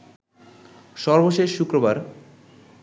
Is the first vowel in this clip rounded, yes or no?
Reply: yes